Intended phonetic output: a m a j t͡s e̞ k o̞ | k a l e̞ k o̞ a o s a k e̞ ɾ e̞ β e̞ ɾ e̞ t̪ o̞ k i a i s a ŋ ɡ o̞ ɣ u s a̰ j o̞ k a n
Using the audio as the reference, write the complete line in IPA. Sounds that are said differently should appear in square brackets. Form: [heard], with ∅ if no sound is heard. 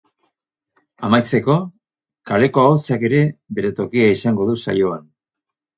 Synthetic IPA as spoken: a m a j t͡s e̞ k o̞ | k a l e̞ k o̞ a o [t͡s] a k e̞ ɾ e̞ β e̞ ɾ e̞ t̪ o̞ k i a i s a ŋ ɡ o̞ [ð] u s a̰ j o̞ [∅] a n